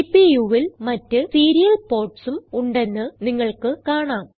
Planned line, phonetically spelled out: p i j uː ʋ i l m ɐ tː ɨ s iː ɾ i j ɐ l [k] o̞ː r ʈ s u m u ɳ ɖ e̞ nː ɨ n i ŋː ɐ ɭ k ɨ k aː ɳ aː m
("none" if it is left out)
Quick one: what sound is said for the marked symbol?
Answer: p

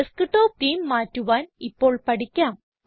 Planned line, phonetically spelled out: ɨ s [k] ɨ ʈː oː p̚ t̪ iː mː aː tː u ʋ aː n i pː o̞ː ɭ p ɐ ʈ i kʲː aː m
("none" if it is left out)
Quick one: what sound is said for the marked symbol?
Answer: k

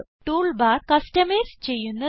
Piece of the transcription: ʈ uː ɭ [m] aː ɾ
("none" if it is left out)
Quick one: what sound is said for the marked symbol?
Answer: b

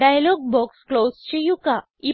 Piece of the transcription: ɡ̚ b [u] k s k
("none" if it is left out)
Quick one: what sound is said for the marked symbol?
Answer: ɔ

